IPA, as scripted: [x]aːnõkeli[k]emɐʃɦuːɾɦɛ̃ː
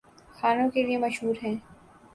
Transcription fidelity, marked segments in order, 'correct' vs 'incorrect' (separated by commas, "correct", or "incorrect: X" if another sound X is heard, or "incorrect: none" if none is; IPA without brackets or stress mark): correct, incorrect: none